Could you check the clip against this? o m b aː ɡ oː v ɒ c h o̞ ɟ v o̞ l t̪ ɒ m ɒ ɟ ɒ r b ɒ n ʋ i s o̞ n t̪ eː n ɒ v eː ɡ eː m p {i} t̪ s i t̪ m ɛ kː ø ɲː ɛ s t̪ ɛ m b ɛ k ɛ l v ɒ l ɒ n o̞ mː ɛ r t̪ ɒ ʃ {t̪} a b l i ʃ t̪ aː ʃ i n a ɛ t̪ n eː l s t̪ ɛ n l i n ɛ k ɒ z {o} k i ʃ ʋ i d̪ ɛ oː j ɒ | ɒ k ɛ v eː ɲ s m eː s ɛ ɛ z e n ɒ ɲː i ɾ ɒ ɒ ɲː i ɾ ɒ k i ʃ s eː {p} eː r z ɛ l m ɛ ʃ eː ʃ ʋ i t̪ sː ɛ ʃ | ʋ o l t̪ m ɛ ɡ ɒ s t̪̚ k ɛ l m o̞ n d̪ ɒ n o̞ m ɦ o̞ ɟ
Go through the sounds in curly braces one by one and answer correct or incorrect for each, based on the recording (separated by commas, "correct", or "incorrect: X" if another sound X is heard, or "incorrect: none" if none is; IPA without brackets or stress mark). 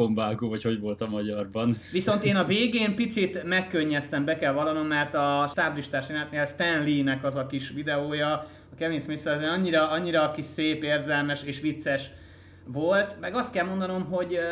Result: correct, correct, incorrect: ɒ, correct